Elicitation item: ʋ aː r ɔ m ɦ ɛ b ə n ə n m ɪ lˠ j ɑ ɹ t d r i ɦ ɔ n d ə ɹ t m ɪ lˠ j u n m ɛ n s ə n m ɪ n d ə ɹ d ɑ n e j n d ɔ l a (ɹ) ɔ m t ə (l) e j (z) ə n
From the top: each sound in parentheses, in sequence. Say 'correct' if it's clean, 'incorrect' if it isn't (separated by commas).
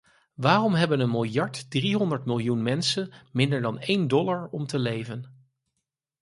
correct, correct, incorrect